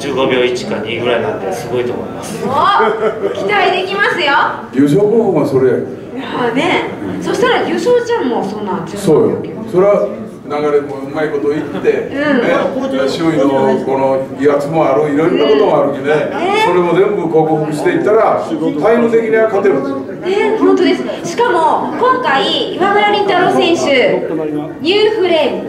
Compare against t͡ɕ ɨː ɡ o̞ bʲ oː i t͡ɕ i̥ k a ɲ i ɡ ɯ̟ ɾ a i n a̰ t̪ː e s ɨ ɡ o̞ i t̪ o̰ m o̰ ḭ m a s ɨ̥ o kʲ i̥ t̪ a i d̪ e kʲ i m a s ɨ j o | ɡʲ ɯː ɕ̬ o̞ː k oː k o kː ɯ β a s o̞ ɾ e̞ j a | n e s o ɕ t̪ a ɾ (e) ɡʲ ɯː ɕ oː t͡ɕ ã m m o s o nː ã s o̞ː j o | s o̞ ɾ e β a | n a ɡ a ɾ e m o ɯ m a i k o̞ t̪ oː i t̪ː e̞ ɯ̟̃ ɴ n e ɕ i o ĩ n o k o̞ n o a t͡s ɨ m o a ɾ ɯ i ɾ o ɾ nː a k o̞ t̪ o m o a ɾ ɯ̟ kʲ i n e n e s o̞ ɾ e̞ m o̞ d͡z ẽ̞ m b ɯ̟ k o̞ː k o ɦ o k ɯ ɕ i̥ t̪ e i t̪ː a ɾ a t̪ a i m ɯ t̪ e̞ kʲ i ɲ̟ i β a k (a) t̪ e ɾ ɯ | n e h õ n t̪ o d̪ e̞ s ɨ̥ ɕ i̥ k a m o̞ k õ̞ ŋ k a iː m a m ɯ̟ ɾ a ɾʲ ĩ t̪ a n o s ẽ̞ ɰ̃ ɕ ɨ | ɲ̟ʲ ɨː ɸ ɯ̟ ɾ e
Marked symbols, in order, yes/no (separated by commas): no, yes